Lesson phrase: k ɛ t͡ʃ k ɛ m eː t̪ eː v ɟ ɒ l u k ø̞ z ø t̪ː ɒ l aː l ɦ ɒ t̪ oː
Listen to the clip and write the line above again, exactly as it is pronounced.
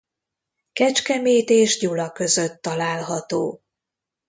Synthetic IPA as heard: k ɛ t͡ʃ k ɛ m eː t̪ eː ʒ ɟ u l ɒ k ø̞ z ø t̪ː ɒ l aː l ɦ ɒ t̪ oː